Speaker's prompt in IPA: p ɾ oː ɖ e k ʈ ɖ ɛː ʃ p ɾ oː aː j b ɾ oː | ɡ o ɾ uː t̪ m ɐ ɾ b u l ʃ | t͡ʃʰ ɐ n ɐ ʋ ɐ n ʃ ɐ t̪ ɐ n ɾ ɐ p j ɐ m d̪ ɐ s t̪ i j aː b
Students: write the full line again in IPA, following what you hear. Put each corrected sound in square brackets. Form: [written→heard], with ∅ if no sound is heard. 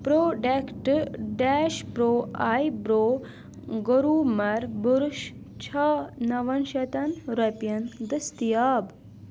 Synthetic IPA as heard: p ɾ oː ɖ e k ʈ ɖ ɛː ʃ p ɾ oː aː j b ɾ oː | ɡ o ɾ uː [t̪→∅] m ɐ ɾ b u [l→ɾ] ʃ | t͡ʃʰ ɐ n ɐ ʋ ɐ n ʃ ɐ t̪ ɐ n ɾ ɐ p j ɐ [m→n] d̪ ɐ s t̪ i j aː b